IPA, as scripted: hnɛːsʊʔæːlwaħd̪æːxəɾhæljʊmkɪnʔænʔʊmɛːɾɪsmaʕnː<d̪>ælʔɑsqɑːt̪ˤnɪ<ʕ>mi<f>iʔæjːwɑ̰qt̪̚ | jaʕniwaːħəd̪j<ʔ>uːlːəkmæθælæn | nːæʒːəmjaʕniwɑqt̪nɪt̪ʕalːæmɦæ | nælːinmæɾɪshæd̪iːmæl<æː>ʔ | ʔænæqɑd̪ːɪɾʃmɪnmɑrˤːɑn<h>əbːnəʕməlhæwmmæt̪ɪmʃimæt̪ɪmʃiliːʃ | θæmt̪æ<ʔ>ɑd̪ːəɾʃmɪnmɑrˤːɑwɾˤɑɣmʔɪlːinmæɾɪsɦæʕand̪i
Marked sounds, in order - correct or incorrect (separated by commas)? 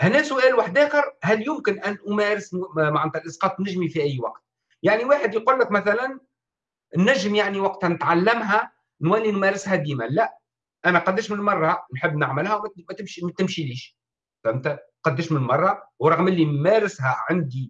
incorrect, incorrect, correct, incorrect, incorrect, incorrect, incorrect